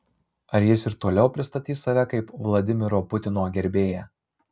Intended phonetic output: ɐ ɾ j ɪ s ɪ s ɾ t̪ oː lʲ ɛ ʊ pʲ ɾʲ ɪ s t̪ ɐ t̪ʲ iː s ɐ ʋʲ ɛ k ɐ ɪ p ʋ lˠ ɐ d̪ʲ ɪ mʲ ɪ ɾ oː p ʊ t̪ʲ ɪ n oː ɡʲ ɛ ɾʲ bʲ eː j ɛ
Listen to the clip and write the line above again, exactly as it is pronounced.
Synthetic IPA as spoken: ɐ ɾ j ɪ s ɪ ɾ t̪ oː lʲ ɛ ʊ pʲ ɾʲ ɪ s t̪ ɐ t̪ʲ iː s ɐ ʋʲ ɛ k ɐ ɪ p ʋ lˠ ɐ d̪ʲ ɪ mʲ ɪ ɾ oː p ʊ t̪ʲ ɪ n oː ɡʲ ɛ ɾʲ bʲ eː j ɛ